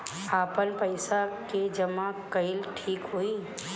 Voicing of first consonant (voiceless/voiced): voiceless